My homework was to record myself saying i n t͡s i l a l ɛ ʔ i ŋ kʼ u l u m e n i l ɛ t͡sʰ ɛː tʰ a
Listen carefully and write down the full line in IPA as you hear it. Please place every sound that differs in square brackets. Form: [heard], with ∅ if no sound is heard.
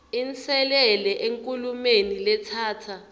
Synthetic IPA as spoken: i n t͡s [ɛ] l [ɛ] l ɛ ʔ [e] ŋ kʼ u l u m e n i l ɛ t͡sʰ [aː] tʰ a